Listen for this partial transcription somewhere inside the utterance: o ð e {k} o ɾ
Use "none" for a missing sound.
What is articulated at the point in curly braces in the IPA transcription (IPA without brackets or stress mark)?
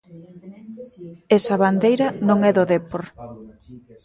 p